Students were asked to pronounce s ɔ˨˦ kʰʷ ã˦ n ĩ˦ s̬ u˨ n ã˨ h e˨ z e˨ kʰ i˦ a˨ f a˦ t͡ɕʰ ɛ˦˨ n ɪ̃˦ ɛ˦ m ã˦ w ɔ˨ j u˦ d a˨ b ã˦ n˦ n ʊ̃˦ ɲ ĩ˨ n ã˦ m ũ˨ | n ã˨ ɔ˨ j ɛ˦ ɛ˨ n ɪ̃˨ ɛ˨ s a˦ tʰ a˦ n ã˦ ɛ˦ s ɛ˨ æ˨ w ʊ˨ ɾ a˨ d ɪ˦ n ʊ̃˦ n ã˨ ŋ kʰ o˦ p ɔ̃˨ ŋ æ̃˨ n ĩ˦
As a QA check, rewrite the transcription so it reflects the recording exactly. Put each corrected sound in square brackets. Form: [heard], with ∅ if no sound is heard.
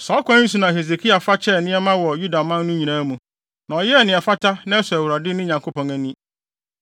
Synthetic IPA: s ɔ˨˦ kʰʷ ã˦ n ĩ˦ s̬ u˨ n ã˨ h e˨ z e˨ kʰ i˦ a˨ f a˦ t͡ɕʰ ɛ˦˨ n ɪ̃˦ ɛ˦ m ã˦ w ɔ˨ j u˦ d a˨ [m] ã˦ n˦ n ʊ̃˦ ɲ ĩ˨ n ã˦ m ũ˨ | n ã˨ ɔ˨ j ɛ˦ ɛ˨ n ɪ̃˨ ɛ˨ [f] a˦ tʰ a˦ n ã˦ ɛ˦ s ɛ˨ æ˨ w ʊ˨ ɾ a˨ d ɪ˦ n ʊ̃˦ [ɲ] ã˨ ŋ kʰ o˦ p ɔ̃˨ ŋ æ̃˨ n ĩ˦